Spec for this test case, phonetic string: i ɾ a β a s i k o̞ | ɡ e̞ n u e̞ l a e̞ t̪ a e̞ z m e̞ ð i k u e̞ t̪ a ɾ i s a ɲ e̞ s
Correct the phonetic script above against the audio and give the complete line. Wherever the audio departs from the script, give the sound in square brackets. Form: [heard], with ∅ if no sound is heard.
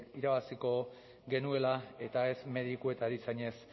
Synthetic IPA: i ɾ a β a s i k o̞ | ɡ e̞ n u e̞ l a e̞ t̪ a e̞ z m e̞ ð i k u e̞ t̪ a ɾ i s a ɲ e̞ s

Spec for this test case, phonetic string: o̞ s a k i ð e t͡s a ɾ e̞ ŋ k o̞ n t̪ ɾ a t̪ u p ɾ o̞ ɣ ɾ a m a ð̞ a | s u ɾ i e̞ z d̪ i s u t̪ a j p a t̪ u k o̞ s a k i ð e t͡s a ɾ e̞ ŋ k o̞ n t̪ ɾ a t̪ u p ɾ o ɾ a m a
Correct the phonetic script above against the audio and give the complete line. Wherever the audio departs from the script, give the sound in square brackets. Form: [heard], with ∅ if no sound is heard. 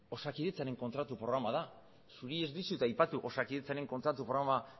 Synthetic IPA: o̞ s a k i ð e t͡s a ɾ e̞ ŋ k o̞ n t̪ ɾ a t̪ u p ɾ o̞ ɣ ɾ a m a ð̞ a | s u ɾ i e̞ z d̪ i s u t̪ a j p a t̪ u [ʔ] o̞ s a k i ð e t͡s a ɾ e̞ ŋ k o̞ n t̪ ɾ a t̪ u p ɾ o ɾ a m a

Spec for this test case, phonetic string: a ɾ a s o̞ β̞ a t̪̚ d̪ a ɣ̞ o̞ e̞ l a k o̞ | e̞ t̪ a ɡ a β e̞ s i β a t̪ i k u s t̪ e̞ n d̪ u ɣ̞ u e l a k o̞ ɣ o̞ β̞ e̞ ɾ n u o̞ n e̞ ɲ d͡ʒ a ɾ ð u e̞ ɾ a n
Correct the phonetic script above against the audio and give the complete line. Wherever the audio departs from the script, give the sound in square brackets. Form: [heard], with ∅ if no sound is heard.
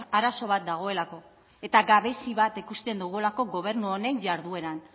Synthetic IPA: a ɾ a s o̞ β̞ a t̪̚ d̪ a ɣ̞ o̞ e̞ l a k o̞ | e̞ t̪ a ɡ a β e̞ s i β a t̪ i k u s t̪ e̞ n d̪ u ɣ̞ u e l a k o̞ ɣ o̞ β̞ e̞ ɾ n u o̞ n e̞ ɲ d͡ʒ a ɾ ð u e̞ ɾ a n

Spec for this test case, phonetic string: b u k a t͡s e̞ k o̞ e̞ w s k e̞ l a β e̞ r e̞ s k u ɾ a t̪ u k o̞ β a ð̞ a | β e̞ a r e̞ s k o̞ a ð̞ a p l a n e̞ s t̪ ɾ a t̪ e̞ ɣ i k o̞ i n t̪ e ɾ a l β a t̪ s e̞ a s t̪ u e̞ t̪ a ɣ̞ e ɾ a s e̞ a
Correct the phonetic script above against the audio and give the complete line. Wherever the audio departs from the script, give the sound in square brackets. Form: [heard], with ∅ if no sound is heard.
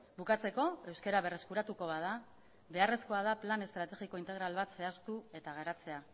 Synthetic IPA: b u k a t͡s e̞ k o̞ e̞ w s k e̞ [ɾ] a β e̞ r e̞ s k u ɾ a t̪ u k o̞ β a ð̞ a | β e̞ a r e̞ s k o̞ a ð̞ a p l a n e̞ s t̪ ɾ a t̪ e̞ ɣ i k o̞ i n t̪ e ɾ a l β a t̪ s e̞ a s t̪ u e̞ t̪ a ɣ̞ e ɾ a [t͡s] e̞ a

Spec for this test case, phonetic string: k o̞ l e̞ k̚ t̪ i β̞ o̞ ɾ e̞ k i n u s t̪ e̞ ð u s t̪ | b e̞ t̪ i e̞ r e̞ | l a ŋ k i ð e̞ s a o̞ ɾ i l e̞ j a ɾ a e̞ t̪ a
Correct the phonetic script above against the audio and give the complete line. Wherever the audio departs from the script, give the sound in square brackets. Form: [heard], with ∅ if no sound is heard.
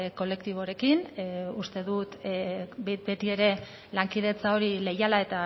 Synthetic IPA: k o̞ l e̞ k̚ t̪ i β̞ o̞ ɾ e̞ k i n u s t̪ e̞ ð u [∅] t̪ | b e̞ t̪ i e̞ [ɾ] e̞ | l a ŋ k i ð e̞ [t͡s] a o̞ ɾ i l e̞ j a [l] a e̞ t̪ a

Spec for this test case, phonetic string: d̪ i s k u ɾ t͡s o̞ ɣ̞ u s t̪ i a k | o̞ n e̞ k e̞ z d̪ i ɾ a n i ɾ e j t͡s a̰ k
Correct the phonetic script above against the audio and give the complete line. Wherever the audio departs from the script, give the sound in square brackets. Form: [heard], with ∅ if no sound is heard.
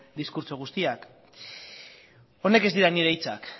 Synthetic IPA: d̪ i s k u ɾ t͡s o̞ ɣ̞ u s t̪ i a k | o̞ n e̞ k e̞ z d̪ i ɾ a n i ɾ e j t͡s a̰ k

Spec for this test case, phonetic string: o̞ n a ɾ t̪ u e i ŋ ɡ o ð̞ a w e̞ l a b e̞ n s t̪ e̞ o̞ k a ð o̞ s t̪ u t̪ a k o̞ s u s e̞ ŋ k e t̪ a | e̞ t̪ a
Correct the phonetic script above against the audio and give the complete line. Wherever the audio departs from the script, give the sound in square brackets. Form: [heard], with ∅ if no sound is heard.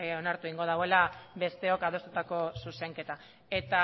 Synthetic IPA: o̞ n a ɾ t̪ u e i ŋ ɡ o ð̞ a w e̞ l a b e̞ [∅] s t̪ e̞ o̞ k a ð o̞ s t̪ u t̪ a k o̞ s u s e̞ ŋ k e t̪ a | e̞ t̪ a

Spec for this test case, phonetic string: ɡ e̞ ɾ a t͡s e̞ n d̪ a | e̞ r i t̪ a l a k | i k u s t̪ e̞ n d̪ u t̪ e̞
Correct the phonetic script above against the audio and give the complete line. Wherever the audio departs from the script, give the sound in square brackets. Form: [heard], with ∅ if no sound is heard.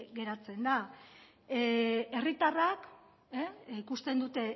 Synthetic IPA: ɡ e̞ ɾ a t͡s e̞ n d̪ a | e̞ r i t̪ a [r] a k | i k u s t̪ e̞ n d̪ u t̪ e̞

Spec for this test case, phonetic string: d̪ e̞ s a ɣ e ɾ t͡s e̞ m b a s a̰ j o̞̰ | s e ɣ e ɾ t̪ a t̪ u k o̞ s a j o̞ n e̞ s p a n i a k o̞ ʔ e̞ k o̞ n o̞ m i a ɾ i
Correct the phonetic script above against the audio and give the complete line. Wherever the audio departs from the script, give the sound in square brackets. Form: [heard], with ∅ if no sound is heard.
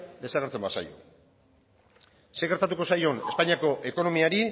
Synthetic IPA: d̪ e̞ s a ɣ e ɾ t͡s e̞ m b a s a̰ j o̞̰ | s e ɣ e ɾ t̪ a t̪ u k o̞ s a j o̞ n e̞ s p a [ɲ] i a k o̞ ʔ e̞ k o̞ n o̞ m i a ɾ i

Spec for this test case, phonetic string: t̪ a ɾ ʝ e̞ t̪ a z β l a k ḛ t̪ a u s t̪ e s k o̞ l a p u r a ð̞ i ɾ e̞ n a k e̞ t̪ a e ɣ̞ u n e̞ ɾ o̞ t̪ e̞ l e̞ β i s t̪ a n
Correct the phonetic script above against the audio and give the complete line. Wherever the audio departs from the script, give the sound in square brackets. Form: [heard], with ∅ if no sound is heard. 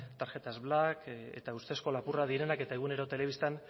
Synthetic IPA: t̪ a ɾ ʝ e̞ t̪ a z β l a k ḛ t̪ a u s t̪ e s k o̞ l a p u r a ð̞ i ɾ e̞ n a k e̞ t̪ a e ɣ̞ u n e̞ ɾ o̞ t̪ e̞ l e̞ β i s t̪ a n

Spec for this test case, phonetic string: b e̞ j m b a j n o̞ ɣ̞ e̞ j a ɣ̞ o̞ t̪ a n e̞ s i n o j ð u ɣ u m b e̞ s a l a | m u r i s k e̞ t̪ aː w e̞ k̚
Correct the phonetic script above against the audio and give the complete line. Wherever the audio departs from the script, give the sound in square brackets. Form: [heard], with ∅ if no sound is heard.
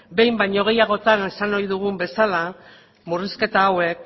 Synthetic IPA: b e̞ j m b a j [ɲ] o̞ ɣ̞ e̞ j a ɣ̞ o̞ t̪ a n e̞ s [a] n o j ð u ɣ u m b e̞ s a l a | m u r i s k e̞ t̪ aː w e̞ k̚

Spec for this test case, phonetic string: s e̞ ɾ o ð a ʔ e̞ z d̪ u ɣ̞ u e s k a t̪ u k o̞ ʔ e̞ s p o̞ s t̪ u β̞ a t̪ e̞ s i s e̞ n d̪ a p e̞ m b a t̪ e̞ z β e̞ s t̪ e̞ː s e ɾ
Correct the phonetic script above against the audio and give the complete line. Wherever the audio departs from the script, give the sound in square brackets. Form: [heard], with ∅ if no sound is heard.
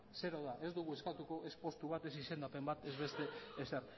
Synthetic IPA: s e̞ ɾ o ð a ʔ e̞ z d̪ u ɣ̞ u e s k a t̪ u k o̞ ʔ e̞ s p o̞ s t̪ u β̞ a t̪ e̞ s i s e̞ n d̪ a p e̞ m b a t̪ e̞ z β e̞ s t̪ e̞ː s e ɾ

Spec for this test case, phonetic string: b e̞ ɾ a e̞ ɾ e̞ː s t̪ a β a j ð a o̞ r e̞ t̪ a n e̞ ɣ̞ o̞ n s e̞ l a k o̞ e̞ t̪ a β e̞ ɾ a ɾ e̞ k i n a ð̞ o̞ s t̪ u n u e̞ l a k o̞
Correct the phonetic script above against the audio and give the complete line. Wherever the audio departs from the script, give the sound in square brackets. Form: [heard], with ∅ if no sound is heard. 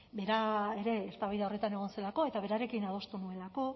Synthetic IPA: b e̞ ɾ a e̞ ɾ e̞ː s t̪ a β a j ð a o̞ r e̞ t̪ a n e̞ ɣ̞ o̞ n s e̞ l a k o̞ e̞ t̪ a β e̞ ɾ a ɾ e̞ k i n a ð̞ o̞ s t̪ u n u e̞ l a k o̞

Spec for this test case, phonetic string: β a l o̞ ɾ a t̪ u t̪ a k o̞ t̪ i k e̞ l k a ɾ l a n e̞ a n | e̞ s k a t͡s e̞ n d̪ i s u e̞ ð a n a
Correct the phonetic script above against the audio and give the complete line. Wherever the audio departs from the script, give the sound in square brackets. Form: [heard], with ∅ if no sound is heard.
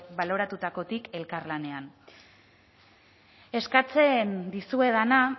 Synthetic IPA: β a l o̞ ɾ a t̪ u t̪ a k o̞ t̪ i k e̞ l k a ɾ l a n e̞ a n | e̞ s k a t͡s e̞ n d̪ i s u e̞ ð a n a

